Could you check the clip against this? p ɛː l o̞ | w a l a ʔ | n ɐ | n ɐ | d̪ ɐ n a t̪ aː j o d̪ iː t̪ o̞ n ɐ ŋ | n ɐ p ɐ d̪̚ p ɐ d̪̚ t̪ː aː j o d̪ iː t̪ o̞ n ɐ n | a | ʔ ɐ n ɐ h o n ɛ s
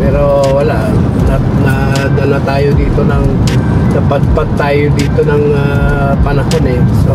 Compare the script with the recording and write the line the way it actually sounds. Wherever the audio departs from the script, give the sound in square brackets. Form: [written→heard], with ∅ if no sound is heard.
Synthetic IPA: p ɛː [l→ɾ] o̞ | w [a→ɐ] l a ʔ | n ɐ | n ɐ | d̪ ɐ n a t̪ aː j o d̪ iː t̪ o̞ n ɐ ŋ | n ɐ p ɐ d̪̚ p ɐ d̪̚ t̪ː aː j o d̪ iː t̪ o̞ n ɐ [n→ŋ] | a | [ʔ→p] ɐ n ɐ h o n ɛ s